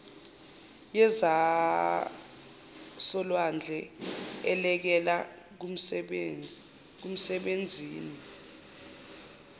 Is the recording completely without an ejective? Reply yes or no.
yes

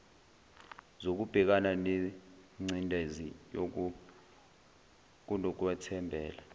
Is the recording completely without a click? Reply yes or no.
no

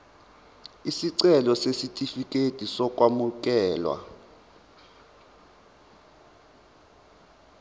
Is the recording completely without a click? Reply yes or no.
no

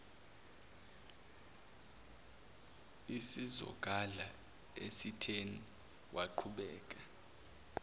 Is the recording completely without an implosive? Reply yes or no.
no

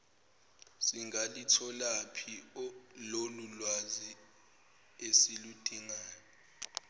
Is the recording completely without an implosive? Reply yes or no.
yes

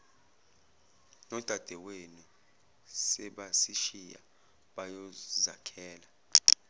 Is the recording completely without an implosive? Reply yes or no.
no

